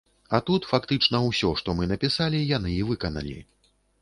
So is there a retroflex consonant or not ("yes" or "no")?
yes